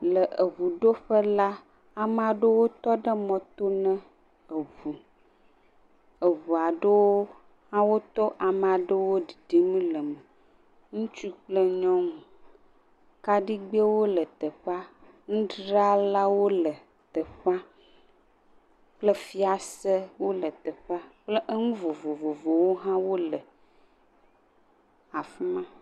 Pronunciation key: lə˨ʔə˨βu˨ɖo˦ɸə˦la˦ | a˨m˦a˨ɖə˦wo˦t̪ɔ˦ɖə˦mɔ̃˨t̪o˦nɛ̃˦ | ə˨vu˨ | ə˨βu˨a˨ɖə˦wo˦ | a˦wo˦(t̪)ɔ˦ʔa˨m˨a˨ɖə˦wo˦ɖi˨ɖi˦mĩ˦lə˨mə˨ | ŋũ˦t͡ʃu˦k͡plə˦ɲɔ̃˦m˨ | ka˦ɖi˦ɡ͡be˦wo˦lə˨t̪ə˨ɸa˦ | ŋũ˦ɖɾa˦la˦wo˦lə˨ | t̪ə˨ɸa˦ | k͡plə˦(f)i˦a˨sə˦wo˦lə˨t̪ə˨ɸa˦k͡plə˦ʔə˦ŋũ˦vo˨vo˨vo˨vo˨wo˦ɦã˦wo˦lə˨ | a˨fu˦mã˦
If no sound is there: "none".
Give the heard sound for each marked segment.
t̪, f

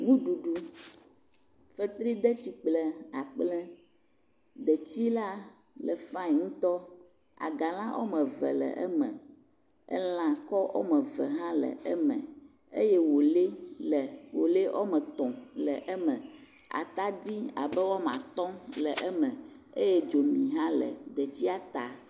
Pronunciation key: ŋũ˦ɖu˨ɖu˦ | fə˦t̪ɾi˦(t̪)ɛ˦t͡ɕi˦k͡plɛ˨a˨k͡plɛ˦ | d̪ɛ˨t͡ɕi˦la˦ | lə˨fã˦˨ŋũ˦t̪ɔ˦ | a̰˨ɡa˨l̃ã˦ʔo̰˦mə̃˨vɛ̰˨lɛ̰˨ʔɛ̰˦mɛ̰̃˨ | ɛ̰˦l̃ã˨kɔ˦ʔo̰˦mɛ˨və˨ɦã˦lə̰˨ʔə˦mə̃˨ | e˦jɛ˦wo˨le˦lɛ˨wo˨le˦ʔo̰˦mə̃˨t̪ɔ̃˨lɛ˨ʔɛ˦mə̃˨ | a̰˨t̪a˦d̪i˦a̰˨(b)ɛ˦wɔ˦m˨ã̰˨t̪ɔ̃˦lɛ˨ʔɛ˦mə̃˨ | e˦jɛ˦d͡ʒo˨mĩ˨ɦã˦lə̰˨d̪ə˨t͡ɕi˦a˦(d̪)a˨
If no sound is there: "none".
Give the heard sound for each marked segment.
d̪, b, t̪

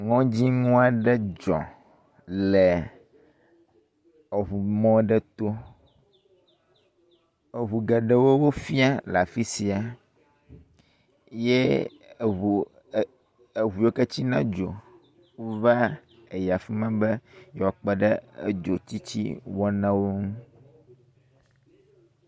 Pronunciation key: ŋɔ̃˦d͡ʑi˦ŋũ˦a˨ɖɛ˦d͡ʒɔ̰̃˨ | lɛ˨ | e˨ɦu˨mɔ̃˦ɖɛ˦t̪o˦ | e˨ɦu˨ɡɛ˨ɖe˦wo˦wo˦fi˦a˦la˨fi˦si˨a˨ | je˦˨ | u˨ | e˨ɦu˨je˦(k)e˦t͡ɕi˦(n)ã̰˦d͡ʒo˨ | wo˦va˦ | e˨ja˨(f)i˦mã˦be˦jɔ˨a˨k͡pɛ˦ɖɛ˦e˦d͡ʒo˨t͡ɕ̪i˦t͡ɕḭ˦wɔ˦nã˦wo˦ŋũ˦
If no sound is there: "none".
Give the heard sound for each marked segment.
k, n, f

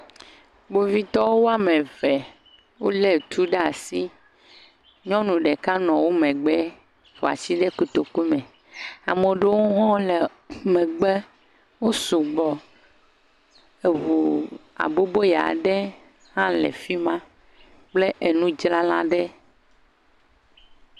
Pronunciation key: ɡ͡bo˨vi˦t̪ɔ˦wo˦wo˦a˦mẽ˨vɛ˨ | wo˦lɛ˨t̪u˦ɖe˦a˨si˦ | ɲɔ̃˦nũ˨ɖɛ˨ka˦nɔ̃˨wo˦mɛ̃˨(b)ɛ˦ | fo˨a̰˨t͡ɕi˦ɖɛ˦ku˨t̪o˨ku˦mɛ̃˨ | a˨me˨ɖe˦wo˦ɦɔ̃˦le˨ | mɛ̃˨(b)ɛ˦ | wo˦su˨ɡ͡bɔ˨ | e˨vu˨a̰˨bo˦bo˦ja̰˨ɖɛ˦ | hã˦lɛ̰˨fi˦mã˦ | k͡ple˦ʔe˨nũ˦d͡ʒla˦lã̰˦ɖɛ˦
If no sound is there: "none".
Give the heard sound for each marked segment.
ɡ͡b, ɡ͡b

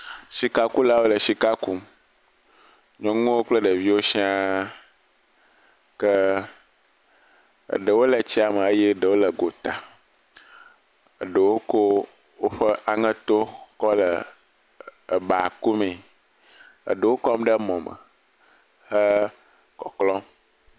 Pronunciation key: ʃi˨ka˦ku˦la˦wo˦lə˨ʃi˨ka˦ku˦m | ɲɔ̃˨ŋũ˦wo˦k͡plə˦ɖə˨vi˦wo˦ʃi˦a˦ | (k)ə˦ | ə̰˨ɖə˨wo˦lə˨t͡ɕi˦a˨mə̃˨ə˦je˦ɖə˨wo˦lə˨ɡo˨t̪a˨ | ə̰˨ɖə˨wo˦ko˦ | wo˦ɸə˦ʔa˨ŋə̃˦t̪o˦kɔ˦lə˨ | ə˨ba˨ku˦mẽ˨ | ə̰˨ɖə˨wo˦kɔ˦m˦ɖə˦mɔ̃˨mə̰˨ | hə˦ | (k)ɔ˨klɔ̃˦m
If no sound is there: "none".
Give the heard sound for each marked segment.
k, k

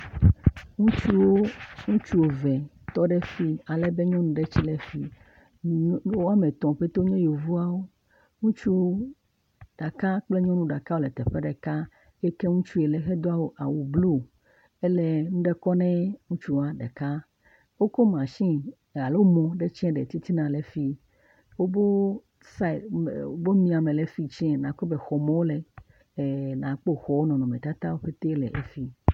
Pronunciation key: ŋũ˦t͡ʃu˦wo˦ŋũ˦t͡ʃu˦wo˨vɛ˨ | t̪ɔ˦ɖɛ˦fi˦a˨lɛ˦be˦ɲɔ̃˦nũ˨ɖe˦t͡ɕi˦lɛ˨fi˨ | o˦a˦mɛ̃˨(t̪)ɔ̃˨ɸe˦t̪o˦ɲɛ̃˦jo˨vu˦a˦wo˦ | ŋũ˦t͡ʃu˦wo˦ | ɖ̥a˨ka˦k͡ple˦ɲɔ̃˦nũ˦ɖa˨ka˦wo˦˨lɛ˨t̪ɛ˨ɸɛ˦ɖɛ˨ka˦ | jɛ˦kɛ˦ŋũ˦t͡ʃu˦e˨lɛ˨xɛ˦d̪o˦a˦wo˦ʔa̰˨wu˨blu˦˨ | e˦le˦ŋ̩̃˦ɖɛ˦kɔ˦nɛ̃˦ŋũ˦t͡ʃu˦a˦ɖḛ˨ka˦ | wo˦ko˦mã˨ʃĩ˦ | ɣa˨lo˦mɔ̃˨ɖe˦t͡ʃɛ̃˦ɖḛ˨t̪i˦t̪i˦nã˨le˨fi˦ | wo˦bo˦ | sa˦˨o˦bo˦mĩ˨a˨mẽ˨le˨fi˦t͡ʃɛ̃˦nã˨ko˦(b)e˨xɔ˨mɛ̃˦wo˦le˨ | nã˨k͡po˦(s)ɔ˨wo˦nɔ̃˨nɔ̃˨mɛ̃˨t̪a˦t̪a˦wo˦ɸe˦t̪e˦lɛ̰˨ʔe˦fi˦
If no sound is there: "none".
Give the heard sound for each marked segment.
t̪, b, x

